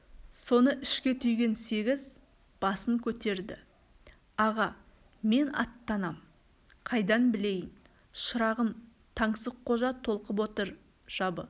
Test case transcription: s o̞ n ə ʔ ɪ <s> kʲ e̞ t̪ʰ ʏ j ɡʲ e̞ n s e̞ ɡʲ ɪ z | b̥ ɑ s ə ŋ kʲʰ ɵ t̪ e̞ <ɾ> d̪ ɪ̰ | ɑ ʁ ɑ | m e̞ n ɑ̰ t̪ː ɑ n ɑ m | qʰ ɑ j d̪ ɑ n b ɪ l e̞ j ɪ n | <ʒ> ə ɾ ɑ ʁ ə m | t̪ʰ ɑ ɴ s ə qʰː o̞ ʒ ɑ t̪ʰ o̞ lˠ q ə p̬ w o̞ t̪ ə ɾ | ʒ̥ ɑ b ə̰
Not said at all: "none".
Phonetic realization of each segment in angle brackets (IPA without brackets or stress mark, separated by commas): ʃ, ɾ, ʃ